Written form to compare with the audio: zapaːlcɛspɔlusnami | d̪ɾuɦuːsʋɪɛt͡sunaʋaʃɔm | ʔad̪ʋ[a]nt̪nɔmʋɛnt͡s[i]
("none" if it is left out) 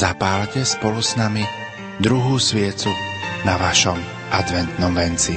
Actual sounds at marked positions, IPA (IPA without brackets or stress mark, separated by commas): ɛ, i